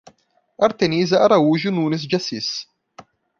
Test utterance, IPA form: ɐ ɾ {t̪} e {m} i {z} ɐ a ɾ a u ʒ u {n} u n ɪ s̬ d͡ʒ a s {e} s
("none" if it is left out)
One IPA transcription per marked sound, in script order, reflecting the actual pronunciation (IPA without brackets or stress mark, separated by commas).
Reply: t̪, n, z, n, i